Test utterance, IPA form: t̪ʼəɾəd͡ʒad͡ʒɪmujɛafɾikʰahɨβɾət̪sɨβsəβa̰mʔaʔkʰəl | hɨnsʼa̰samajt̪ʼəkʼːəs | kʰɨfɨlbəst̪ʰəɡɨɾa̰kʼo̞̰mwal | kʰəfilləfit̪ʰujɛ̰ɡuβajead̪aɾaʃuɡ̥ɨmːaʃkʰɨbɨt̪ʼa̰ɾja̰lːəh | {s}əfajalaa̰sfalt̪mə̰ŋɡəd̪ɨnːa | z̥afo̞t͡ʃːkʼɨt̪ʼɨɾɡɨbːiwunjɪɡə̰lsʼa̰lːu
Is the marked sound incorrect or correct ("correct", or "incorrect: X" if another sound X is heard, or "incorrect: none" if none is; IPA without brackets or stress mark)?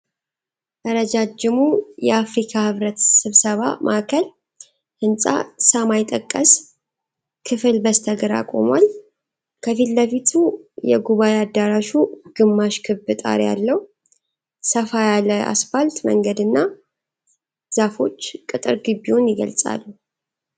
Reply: correct